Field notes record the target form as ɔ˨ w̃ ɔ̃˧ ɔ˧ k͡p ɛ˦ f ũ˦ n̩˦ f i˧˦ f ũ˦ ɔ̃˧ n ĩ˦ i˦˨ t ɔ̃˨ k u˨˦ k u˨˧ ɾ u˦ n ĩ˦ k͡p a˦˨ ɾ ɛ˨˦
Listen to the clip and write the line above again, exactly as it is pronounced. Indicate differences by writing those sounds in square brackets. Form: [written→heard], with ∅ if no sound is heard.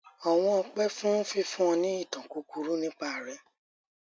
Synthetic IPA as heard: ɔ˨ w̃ ɔ̃˧ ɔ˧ k͡p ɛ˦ f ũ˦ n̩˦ f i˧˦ f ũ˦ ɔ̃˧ n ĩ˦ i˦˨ t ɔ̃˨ k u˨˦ k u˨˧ ɾ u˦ n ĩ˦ k͡p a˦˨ ɾ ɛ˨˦